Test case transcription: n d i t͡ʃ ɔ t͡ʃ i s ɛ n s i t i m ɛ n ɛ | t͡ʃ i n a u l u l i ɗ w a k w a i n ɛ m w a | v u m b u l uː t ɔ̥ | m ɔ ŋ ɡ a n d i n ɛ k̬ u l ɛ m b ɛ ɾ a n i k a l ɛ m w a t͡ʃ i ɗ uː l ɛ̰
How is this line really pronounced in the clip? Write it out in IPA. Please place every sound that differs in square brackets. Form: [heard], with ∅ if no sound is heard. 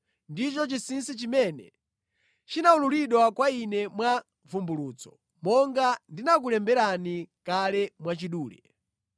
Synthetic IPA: n d i t͡ʃ ɔ t͡ʃ i s [i] n s i [t͡ʃ] i m ɛ n ɛ | t͡ʃ i n a u l u l i ɗ w a k w a i n ɛ m w a | v u m b u l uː [t͡s] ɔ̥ | m ɔ ŋ ɡ a n d i n [a] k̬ u l ɛ m b ɛ ɾ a n i k a l ɛ m w a t͡ʃ i ɗ uː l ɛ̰

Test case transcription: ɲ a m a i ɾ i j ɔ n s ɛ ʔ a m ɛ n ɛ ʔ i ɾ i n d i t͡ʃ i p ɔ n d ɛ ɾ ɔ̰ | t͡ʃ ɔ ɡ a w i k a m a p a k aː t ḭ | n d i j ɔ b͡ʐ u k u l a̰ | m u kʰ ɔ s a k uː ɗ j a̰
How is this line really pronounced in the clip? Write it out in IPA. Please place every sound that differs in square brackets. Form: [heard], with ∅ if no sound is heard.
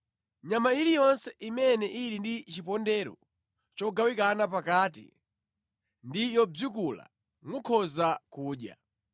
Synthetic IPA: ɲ a m a i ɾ i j ɔ n s ɛ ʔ [i] m ɛ n ɛ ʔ i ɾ i n d i t͡ʃ i p ɔ n d ɛ ɾ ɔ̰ | t͡ʃ ɔ ɡ a w i k a [n] a p a k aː t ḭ | n d i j ɔ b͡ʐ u k u l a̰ | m u kʰ ɔ [z] a k uː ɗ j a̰

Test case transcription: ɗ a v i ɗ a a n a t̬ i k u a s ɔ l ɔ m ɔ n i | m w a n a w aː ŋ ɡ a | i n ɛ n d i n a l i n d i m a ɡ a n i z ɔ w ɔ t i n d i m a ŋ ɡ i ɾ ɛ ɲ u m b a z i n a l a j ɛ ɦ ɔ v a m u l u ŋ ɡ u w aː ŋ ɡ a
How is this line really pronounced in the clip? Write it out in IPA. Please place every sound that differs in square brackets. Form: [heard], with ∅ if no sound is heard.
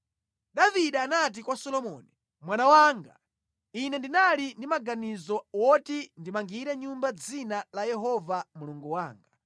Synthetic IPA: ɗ a v i ɗ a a n a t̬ i k [w] a s ɔ l ɔ m ɔ n i | m w a n a w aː ŋ ɡ a | i n ɛ n d i n a l i n d i m a ɡ a n i z ɔ w ɔ t i n d i m a ŋ ɡ i ɾ ɛ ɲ u m b a [d͡z] i n a l a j ɛ ɦ ɔ v a m u l u ŋ ɡ u w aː ŋ ɡ a

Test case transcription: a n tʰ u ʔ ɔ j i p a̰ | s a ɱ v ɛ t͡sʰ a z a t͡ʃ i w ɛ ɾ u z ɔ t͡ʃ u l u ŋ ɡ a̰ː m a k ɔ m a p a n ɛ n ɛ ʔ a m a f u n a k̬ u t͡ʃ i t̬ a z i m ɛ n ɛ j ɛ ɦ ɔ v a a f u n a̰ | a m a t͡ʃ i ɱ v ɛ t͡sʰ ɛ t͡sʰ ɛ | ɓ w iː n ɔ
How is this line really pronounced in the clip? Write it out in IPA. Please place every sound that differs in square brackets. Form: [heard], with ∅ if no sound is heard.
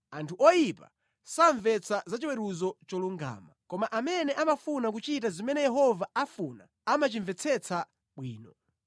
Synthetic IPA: a n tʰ u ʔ ɔ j i p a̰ | s a ɱ v ɛ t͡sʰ a z a t͡ʃ i w ɛ ɾ u z ɔ t͡ʃ [ɔ] l u ŋ ɡ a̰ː m a k ɔ m a [ʔ] a [m] ɛ n ɛ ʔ a m a f u n a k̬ u t͡ʃ i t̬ a z i m ɛ n ɛ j ɛ ɦ ɔ v a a f u n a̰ | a m a t͡ʃ i ɱ v ɛ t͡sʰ ɛ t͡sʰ [a] | ɓ w iː n ɔ

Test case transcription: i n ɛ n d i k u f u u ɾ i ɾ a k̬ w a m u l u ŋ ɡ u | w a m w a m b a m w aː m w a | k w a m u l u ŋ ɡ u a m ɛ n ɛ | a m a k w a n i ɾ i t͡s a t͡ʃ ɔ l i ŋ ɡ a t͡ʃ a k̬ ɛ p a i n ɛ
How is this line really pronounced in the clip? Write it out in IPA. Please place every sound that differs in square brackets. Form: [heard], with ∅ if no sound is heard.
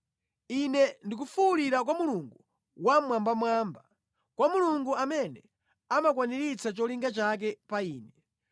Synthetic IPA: i n ɛ n d i k u f u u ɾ i ɾ a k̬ w a m u l u ŋ ɡ u | w a m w a m b a m w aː m [b] a | k w a m u l u ŋ ɡ u a m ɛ n ɛ | a m a k w a n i ɾ i t͡s a t͡ʃ ɔ l i ŋ ɡ a t͡ʃ a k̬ ɛ p a [iː] n ɛ

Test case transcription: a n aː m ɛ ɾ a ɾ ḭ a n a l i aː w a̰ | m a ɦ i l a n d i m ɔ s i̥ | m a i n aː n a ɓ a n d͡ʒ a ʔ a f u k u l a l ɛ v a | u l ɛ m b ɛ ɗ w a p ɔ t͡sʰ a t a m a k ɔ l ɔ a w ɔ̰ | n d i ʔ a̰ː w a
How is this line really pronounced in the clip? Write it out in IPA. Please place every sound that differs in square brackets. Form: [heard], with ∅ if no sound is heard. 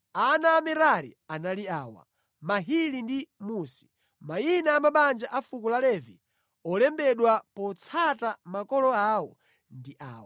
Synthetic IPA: a n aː m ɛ ɾ a ɾ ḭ a n a l i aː w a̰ | m a ɦ i l [i] n d i m [u] s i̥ | m a i n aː [m] a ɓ a n d͡ʒ a ʔ a f u k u l a l ɛ v [i] | [ɔ] l ɛ m b ɛ ɗ w a p ɔ t͡sʰ a t a m a k ɔ l ɔ a w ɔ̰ | n d i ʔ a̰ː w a

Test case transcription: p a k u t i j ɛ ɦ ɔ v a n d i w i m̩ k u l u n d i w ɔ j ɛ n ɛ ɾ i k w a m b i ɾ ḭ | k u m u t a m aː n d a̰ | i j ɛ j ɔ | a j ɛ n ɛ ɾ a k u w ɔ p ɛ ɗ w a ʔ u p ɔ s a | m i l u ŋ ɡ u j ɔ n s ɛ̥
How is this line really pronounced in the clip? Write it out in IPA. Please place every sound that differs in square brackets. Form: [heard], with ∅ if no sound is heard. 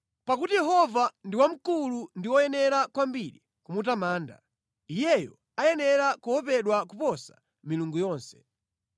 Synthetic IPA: p a k u t i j ɛ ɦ ɔ v a n d i w [a] m̩ k u l u n d i w ɔ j ɛ n ɛ ɾ [a] k w a m b i ɾ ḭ | k u m u t a m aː n d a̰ | i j ɛ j ɔ | a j ɛ n ɛ ɾ a k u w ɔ p ɛ ɗ w a [k] u p ɔ s a | m i l u ŋ ɡ u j [ɔː] n s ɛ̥

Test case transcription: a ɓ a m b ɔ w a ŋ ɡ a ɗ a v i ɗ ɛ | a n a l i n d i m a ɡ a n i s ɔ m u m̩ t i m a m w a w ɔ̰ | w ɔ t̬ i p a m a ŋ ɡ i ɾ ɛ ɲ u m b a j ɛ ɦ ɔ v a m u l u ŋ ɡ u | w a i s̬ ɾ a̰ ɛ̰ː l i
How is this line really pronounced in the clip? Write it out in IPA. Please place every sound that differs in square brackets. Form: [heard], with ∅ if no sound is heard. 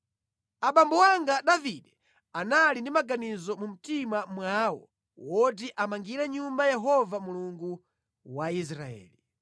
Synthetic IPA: a ɓ a m b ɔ w a ŋ ɡ a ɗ a v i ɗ ɛ | a n a l i n d i m a ɡ a n i [z] ɔ m u m̩ t i m a m w a w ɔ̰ | w ɔ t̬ i [ʔ] a m a ŋ ɡ i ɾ ɛ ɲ u m b a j ɛ ɦ ɔ v a m u l u ŋ ɡ u | w a i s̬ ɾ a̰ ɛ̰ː l i

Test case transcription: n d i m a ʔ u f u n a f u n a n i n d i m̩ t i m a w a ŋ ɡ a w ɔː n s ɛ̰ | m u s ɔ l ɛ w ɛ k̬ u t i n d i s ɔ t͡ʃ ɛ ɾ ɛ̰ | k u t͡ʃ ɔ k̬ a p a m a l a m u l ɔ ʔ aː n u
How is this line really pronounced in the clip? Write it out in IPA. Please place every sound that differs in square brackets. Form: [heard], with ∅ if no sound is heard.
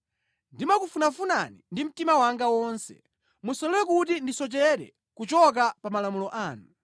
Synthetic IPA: n d i m a [k] u f u n a f u n a n i n d i m̩ t i m a w a ŋ ɡ a w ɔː n s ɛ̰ | m u s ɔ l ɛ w ɛ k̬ u t i n d i s ɔ t͡ʃ ɛ ɾ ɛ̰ | k u t͡ʃ ɔ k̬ a p a m a l a m u l ɔ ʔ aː n u

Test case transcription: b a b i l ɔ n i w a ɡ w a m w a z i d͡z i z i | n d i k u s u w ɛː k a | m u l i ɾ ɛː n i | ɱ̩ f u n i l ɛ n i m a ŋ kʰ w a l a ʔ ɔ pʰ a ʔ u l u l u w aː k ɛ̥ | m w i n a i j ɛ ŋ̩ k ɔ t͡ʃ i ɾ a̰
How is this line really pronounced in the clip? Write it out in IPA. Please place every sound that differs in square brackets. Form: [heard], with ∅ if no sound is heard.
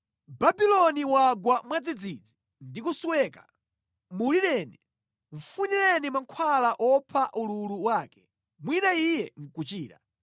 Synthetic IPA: b a b i l ɔ n i w a ɡ w a m w a [d͡z] i d͡z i [d͡z] i | n d i k u s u w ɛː k a | m u l i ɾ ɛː n i | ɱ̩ f u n i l ɛ n i m a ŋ kʰ w a l a ʔ ɔ pʰ a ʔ u l u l u w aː k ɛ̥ | m w i n a i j ɛ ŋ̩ k [u] t͡ʃ [iː] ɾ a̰

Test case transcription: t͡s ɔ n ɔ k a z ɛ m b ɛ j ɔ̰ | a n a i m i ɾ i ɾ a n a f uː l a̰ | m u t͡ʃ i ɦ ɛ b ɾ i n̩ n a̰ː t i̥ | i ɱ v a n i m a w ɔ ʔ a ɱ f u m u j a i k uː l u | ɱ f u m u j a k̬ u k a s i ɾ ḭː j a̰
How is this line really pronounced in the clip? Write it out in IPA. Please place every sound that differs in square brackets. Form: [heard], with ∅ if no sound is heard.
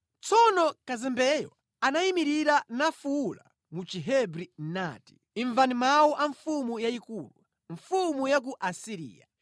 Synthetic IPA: t͡s ɔ n ɔ k a z ɛ m b ɛ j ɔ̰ | a n a i m i ɾ i ɾ a n a f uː l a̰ | m u t͡ʃ i ɦ ɛ b ɾ i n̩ n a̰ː t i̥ | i ɱ v a n i m a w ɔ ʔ a ɱ f u m u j a i k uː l u | ɱ f u m u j a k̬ u [ʔ] a s i ɾ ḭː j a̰

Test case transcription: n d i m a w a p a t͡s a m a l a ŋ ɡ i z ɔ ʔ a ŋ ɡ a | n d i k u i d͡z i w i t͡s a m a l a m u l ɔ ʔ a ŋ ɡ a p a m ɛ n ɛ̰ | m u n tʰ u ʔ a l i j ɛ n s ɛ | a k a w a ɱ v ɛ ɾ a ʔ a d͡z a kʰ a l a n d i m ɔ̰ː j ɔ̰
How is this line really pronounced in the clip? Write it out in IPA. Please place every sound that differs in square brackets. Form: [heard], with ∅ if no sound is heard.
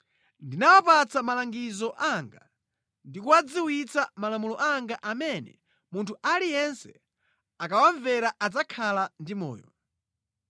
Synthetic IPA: n d i [n] a w a p a t͡s a m a l a ŋ ɡ i z ɔ ʔ a ŋ ɡ a | n d i k u [a] d͡z i w i t͡s a m a l a m u l ɔ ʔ a ŋ ɡ a [ʔ] a m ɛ n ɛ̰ | m u n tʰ u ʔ a l i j ɛ n s ɛ | a k a w a ɱ v ɛ ɾ a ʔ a d͡z a kʰ a l a n d i m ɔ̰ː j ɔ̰

